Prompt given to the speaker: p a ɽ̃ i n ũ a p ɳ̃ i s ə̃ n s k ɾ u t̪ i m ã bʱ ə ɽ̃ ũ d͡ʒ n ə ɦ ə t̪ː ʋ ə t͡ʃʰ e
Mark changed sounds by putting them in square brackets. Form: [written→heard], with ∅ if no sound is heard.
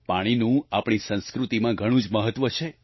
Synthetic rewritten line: p a ɽ̃ i n ũ a p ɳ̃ i s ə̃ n s k ɾ u t̪ i m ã [bʱ→ɡʱ] ə ɽ̃ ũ d͡ʒ [n→m] ə ɦ ə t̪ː ʋ ə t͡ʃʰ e